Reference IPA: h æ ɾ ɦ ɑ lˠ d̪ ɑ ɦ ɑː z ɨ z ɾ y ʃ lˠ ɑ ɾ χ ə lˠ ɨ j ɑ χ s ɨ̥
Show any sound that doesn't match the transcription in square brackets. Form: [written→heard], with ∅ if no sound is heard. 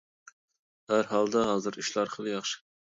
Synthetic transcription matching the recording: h æ ɾ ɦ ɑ lˠ d̪ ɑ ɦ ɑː z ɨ [z→∅] ɾ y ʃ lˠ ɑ ɾ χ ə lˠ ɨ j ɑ χ [s→ʃ] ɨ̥